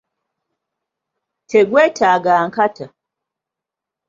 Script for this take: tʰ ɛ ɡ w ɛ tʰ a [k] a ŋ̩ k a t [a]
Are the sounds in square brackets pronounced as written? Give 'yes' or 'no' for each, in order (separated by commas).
no, yes